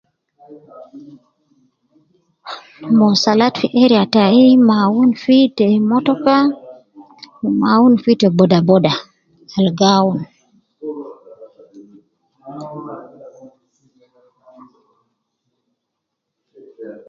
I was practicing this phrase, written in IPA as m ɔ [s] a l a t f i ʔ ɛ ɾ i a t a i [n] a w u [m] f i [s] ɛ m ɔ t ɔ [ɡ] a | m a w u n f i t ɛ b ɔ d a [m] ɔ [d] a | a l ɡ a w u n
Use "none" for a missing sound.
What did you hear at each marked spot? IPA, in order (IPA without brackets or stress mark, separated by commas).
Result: s, m, n, t, k, b, d